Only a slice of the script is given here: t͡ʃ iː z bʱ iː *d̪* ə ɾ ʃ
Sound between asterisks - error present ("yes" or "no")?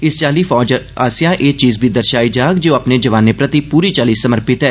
no